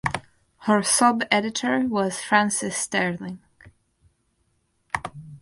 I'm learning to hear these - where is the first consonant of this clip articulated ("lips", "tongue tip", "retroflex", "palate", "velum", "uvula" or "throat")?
throat